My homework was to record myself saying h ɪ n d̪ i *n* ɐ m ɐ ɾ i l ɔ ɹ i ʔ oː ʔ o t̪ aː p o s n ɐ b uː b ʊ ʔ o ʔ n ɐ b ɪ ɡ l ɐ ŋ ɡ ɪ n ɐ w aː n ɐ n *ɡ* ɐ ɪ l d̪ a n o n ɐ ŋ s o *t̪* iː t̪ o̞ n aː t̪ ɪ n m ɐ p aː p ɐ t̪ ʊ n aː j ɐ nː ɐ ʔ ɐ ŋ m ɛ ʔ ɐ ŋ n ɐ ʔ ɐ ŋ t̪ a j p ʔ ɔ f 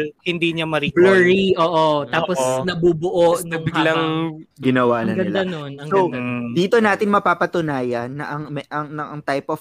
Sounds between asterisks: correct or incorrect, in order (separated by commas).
incorrect, correct, incorrect